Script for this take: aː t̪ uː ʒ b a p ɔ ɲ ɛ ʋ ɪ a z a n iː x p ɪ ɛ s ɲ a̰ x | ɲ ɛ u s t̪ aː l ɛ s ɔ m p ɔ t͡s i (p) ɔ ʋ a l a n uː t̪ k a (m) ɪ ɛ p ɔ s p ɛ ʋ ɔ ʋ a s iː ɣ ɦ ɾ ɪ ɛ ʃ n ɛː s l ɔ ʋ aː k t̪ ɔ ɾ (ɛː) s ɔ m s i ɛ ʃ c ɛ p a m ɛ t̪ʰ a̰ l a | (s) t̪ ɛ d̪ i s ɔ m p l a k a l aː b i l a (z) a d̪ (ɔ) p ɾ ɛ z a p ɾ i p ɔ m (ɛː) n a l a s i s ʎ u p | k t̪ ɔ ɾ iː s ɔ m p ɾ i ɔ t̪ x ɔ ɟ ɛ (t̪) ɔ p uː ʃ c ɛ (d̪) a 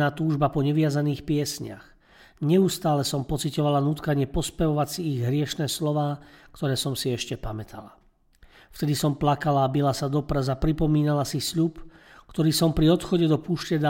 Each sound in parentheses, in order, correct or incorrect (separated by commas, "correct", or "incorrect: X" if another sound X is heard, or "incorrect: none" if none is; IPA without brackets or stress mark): incorrect: c, incorrect: ɲ, correct, incorrect: f, incorrect: s, correct, incorrect: iː, incorrect: d̪, correct